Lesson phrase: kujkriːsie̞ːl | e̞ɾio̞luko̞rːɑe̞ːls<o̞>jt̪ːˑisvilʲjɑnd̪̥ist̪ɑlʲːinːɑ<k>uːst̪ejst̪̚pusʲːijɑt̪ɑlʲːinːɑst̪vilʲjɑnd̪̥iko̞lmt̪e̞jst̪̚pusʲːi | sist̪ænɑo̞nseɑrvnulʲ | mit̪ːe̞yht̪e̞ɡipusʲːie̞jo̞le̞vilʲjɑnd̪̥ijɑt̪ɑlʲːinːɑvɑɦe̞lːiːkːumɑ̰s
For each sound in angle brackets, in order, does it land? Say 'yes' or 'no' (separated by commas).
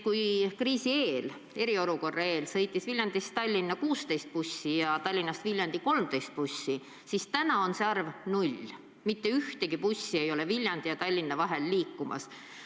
no, yes